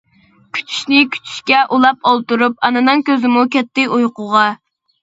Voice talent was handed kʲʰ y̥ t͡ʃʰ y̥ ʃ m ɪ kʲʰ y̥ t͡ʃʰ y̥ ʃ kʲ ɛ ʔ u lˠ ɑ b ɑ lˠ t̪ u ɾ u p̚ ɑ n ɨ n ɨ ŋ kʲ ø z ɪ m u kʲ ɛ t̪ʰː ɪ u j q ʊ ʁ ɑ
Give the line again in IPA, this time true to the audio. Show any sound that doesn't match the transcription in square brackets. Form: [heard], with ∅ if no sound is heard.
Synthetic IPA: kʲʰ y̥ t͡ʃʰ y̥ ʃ [n] ɪ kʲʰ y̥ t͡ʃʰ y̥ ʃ kʲ ɛ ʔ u lˠ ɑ [p] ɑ lˠ t̪ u ɾ u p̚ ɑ n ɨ n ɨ ŋ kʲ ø z ɪ m u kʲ ɛ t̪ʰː ɪ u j q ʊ ʁ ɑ